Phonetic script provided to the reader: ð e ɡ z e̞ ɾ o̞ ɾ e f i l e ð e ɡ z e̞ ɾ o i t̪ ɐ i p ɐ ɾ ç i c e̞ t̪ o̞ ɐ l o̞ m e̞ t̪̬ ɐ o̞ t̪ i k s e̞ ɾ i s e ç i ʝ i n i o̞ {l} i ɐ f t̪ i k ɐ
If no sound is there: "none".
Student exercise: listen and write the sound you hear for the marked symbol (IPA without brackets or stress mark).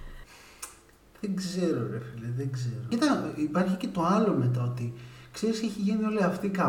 l